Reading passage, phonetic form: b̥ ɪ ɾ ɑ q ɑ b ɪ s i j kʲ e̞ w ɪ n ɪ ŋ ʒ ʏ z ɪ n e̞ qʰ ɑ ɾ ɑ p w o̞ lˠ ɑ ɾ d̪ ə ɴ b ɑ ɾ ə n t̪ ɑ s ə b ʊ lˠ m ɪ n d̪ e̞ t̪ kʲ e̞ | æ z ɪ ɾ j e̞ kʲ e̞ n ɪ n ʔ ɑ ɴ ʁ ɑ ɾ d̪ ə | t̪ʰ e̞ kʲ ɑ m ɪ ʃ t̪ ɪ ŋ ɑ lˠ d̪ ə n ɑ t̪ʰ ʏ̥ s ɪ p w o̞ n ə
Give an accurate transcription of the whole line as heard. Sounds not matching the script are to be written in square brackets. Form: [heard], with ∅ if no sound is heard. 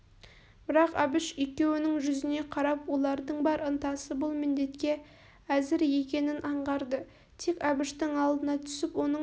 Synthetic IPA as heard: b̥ ɪ ɾ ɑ q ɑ b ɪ [ʃ] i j kʲ e̞ w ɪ n ɪ ŋ ʒ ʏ z ɪ n e̞ qʰ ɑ ɾ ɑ p w o̞ lˠ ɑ ɾ d̪ ə ɴ b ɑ ɾ ə n t̪ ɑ s ə b ʊ lˠ m ɪ n d̪ e̞ t̪ kʲ e̞ | æ z ɪ ɾ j e̞ kʲ e̞ n ɪ n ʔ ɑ ɴ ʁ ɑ ɾ d̪ ə | t̪ʰ e̞ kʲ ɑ [b] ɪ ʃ t̪ ɪ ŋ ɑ lˠ d̪ ə n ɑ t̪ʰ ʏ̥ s ɪ p w o̞ n ə

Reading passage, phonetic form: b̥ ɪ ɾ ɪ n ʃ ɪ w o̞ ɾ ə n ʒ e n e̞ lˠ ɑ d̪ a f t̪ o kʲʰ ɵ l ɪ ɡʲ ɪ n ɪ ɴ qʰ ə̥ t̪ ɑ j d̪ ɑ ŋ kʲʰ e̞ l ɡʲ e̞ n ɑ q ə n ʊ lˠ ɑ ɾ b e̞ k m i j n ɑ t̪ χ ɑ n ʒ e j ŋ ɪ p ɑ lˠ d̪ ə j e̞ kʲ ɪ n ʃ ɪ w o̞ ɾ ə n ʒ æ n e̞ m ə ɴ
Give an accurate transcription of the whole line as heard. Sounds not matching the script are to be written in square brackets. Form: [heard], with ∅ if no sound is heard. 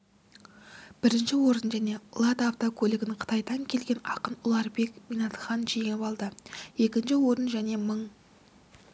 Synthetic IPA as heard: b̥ ɪ ɾ ɪ n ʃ ɪ w o̞ ɾ ə n ʒ [æ] n e̞ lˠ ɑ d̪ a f t̪ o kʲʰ ɵ l ɪ ɡʲ ɪ n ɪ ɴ qʰ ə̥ t̪ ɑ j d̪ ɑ ŋ kʲʰ e̞ l ɡʲ e̞ n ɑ q ə n ʊ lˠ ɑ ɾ b e̞ k m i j n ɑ t̪ χ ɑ n ʒ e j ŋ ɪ p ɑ lˠ d̪ ə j e̞ kʲ ɪ n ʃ ɪ w o̞ ɾ ə n ʒ æ n e̞ m ə ɴ

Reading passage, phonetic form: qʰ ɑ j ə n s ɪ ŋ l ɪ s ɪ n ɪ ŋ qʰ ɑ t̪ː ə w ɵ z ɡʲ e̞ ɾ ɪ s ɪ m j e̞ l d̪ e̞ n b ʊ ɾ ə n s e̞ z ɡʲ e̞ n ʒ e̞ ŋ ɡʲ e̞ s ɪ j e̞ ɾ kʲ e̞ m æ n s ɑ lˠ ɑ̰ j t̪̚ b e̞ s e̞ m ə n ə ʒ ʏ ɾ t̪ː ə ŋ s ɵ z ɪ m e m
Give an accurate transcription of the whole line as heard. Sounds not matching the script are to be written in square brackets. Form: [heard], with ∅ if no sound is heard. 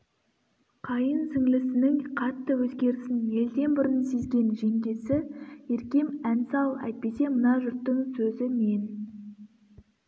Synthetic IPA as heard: qʰ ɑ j ə n s ɪ ŋ l ɪ s ɪ n ɪ ŋ qʰ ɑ t̪ː ə w ɵ z ɡʲ e̞ ɾ ɪ s ɪ [n] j e̞ l d̪ e̞ n b ʊ ɾ ə n s e̞ z ɡʲ e̞ n ʒ e̞ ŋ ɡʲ e̞ s ɪ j e̞ ɾ kʲ e̞ m æ n s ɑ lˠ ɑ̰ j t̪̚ [p] e̞ s e̞ m ə n [ɑ] ʒ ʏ ɾ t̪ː ə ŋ s ɵ z ɪ m e [n]

